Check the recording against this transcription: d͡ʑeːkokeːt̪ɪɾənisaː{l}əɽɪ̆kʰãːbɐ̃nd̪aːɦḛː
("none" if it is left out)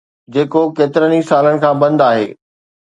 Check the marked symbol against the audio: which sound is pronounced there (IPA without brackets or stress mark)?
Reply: l